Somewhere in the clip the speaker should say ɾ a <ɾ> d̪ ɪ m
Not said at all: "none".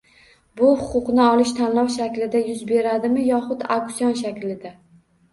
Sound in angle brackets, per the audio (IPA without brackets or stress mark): none